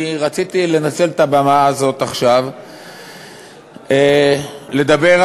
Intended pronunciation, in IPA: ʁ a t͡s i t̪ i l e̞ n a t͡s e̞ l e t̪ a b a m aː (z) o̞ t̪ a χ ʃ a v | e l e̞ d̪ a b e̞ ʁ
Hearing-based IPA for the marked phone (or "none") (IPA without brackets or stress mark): z